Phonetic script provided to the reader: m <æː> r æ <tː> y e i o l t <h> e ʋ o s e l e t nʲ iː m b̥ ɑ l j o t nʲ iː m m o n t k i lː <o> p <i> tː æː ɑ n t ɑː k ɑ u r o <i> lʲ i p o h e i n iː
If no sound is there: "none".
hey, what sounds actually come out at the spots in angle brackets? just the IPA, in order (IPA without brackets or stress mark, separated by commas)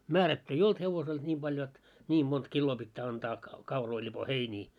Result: æː, tː, h, oː, i, i